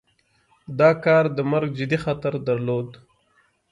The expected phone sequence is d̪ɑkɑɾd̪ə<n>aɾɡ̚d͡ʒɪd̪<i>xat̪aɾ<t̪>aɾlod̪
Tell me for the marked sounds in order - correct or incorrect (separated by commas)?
incorrect, correct, incorrect